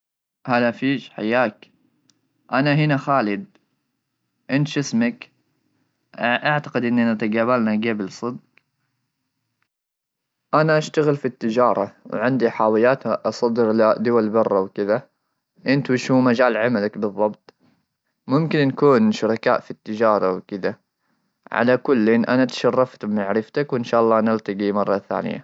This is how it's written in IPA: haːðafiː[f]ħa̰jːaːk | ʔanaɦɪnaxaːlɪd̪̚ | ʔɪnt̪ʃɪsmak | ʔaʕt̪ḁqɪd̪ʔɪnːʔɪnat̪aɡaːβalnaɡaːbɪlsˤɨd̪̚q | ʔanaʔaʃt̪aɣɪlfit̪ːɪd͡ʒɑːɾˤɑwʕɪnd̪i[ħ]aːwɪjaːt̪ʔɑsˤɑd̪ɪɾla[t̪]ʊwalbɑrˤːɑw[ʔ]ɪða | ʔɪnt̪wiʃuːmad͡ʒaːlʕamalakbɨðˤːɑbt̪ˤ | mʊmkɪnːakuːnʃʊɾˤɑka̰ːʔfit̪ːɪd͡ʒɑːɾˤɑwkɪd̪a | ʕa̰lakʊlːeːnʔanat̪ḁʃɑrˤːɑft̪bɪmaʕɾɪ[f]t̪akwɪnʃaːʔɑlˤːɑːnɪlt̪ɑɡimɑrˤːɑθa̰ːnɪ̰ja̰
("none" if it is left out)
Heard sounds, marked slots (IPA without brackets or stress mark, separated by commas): ʃ, ħ, d̪, k, f